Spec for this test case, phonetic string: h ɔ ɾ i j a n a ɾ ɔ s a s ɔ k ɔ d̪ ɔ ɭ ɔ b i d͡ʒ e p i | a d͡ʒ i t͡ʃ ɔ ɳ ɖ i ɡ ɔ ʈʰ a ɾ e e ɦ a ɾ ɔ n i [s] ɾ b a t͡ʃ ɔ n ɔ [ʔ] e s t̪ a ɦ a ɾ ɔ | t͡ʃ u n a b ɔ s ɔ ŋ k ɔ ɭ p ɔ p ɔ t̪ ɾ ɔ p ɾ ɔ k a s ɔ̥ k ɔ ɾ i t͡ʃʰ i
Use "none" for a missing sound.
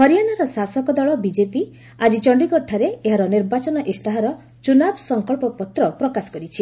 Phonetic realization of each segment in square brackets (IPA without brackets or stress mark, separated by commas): none, ʔ